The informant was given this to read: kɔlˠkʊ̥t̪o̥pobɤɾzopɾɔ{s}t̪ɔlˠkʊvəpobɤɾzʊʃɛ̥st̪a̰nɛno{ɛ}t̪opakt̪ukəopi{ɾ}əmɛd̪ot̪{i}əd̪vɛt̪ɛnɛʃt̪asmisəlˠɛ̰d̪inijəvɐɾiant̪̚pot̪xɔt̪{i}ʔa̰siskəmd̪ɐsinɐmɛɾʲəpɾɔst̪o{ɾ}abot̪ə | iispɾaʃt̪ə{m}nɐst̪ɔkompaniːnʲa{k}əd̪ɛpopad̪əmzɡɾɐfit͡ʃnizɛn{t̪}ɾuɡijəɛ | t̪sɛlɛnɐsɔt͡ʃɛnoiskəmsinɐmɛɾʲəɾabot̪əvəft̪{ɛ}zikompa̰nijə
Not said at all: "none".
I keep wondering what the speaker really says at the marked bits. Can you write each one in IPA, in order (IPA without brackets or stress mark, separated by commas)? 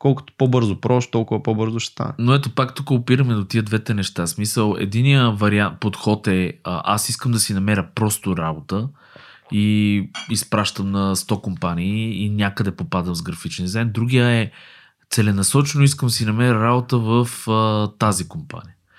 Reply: ʃ, ɛ, ɾ, i, ɛ, ɾ, m, k, d̪, a